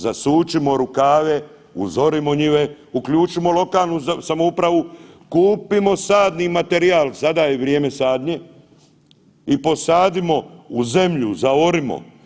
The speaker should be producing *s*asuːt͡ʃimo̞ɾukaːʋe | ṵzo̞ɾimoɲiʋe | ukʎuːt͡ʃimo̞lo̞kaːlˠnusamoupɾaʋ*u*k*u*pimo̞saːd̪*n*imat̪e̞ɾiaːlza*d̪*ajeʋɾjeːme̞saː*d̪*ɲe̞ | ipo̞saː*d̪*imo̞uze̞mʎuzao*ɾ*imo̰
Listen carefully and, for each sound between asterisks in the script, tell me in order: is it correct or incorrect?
incorrect: z, correct, incorrect: uː, correct, correct, correct, correct, correct

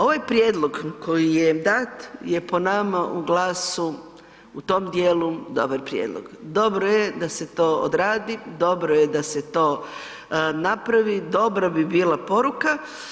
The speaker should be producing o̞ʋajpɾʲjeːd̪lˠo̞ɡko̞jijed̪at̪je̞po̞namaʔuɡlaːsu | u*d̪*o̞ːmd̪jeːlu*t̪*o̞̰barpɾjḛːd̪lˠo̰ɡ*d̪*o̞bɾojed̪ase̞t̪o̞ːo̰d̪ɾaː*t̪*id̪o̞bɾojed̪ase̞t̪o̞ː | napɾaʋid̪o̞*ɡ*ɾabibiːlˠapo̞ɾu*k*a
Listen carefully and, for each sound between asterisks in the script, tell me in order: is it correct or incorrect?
incorrect: t̪, incorrect: d̪, correct, incorrect: d̪, incorrect: b, correct

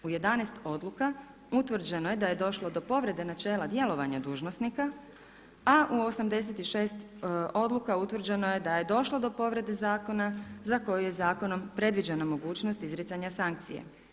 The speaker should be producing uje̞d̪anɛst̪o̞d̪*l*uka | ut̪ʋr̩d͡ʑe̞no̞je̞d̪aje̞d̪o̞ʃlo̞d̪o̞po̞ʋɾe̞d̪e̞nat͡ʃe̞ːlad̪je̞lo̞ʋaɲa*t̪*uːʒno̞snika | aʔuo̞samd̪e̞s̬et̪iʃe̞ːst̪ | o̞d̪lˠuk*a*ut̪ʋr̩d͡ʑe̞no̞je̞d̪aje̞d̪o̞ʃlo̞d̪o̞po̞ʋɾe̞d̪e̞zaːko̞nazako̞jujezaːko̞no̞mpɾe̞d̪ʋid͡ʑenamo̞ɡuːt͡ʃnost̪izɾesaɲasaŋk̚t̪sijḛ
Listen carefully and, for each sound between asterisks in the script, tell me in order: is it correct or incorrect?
correct, incorrect: d̪, correct

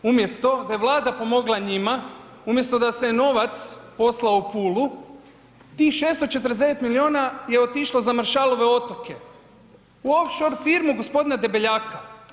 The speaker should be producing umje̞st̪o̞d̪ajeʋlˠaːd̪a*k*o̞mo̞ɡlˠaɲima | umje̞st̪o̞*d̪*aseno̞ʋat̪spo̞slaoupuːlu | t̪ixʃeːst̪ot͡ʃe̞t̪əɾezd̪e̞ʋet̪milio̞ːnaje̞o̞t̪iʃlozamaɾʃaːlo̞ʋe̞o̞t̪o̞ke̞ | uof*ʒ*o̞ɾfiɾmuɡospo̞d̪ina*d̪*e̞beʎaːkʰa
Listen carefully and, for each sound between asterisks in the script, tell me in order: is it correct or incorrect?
incorrect: p, correct, incorrect: ʃ, correct

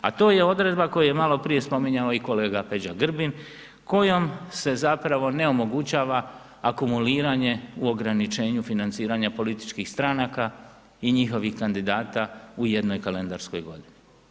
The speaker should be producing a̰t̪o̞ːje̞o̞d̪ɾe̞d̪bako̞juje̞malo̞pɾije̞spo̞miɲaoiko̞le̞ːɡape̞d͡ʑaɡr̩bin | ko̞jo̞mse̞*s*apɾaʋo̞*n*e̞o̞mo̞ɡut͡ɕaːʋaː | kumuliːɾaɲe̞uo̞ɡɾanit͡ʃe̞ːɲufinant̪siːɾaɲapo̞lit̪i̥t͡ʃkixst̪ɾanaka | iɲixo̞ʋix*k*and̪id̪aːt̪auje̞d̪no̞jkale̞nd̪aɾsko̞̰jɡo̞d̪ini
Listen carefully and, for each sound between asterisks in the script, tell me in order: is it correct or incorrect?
incorrect: z, correct, correct

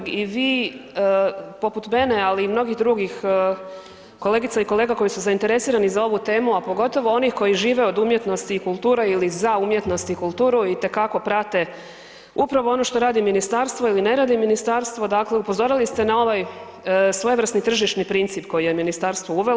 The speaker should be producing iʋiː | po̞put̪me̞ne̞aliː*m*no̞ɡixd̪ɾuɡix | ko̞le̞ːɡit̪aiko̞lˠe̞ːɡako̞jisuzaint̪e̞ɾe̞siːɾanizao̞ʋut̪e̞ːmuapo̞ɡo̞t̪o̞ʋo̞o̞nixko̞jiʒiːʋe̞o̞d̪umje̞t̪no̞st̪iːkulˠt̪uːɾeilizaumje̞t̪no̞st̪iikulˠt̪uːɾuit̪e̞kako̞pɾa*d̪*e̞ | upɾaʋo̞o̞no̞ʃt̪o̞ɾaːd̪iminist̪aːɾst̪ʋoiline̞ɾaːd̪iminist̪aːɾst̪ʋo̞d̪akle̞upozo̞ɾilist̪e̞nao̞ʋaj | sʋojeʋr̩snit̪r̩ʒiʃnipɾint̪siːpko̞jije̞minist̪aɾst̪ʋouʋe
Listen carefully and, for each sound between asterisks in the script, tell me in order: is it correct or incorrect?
correct, incorrect: t̪

